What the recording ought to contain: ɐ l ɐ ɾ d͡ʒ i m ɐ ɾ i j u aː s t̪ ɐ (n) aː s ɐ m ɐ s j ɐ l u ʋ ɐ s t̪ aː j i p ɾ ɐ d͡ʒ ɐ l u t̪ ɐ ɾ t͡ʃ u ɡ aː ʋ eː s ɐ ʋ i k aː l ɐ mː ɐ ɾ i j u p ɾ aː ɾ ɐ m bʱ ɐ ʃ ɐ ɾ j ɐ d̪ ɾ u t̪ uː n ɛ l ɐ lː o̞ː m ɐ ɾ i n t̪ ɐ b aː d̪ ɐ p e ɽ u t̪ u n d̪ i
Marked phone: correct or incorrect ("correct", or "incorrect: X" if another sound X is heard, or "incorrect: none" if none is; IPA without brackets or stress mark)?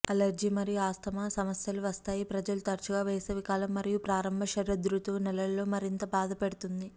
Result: incorrect: m